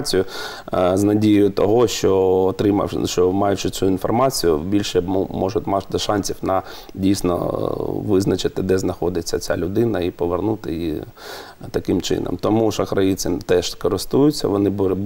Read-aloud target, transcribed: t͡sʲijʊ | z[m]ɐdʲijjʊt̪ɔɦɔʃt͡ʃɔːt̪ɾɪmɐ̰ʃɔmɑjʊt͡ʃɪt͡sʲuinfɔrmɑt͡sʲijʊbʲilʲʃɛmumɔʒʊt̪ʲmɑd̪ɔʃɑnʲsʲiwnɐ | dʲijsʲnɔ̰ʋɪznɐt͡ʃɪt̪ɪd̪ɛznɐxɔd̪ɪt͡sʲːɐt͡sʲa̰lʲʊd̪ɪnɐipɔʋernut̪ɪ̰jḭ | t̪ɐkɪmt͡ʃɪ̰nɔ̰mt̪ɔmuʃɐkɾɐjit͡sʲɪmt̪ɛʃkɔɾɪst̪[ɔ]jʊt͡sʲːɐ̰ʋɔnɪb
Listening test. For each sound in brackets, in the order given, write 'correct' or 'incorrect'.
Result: incorrect: n, incorrect: u

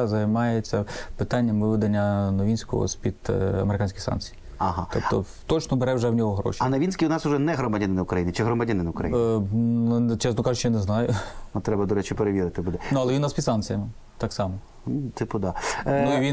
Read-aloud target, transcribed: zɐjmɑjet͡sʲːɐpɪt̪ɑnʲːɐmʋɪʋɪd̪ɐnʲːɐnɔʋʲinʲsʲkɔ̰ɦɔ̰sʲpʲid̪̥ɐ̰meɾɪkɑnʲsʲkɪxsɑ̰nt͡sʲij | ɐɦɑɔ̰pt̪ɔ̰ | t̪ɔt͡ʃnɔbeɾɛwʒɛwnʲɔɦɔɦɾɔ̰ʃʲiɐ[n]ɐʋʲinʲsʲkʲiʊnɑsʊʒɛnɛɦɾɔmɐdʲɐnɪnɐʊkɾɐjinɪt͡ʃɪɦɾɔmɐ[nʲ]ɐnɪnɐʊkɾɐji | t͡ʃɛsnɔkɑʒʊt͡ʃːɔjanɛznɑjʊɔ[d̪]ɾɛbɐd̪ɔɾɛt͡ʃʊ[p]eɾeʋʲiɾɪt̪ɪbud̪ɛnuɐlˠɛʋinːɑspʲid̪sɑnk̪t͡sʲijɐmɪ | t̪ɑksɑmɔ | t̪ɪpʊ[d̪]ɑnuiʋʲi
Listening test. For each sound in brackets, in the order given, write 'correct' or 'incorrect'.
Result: correct, incorrect: dʲ, incorrect: t̪, correct, correct

